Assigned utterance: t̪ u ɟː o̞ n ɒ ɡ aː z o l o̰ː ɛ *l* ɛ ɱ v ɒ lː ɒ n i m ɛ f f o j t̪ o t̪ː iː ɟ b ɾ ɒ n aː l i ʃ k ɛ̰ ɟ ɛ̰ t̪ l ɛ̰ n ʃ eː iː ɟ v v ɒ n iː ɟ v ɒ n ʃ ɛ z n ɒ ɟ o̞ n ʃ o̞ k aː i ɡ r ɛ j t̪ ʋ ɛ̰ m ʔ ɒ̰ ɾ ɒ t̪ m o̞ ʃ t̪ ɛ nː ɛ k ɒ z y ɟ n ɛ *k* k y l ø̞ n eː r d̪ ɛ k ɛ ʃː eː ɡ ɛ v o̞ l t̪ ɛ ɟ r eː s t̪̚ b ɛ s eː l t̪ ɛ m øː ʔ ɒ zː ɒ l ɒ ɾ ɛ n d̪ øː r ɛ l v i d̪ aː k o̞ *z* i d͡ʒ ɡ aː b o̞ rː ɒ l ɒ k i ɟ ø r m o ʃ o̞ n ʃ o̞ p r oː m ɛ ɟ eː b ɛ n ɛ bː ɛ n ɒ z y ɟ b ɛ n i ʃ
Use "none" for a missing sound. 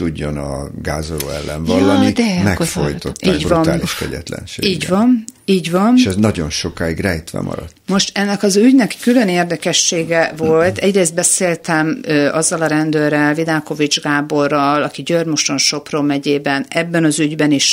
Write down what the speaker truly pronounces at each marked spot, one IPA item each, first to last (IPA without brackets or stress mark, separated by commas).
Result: lː, k, v